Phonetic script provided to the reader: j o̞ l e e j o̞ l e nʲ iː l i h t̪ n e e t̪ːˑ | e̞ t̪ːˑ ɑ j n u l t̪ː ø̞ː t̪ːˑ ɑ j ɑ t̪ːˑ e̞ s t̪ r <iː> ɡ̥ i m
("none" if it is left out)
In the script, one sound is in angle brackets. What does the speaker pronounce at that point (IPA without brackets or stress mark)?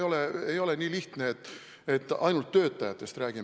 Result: æː